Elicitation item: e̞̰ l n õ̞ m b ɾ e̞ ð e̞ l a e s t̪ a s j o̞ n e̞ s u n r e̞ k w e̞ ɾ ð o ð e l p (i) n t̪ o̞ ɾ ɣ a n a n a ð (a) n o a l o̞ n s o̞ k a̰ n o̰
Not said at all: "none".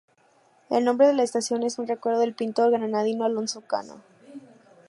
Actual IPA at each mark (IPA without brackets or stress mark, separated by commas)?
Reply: i, i